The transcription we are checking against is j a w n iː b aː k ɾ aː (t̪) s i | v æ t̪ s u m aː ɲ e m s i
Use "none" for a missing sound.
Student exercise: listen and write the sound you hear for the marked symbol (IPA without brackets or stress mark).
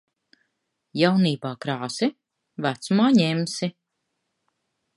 none